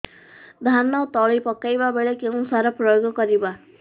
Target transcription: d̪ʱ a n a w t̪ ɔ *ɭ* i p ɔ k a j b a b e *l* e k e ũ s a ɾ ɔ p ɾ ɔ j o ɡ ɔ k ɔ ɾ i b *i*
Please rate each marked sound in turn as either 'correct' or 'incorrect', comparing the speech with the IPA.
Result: correct, incorrect: ɭ, incorrect: a

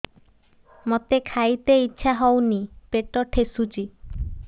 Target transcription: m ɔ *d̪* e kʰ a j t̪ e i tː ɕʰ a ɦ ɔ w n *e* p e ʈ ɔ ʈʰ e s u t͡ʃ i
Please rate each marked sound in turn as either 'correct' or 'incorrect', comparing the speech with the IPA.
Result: incorrect: t̪, incorrect: i

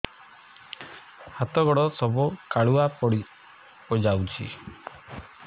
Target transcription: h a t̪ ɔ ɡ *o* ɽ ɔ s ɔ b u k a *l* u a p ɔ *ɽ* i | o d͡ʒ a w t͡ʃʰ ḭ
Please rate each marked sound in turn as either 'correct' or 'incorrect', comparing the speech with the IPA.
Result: incorrect: ɔ, incorrect: ɭ, correct

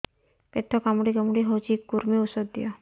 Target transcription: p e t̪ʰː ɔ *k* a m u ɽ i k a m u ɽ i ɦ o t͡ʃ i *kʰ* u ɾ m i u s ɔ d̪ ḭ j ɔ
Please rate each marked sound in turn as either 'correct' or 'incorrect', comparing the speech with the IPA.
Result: correct, incorrect: k

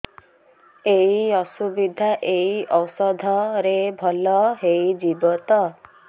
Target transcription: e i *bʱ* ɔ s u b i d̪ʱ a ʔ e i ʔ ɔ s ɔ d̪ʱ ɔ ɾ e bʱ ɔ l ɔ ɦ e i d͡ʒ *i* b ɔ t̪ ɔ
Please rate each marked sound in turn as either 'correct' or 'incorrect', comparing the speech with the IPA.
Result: incorrect: none, correct

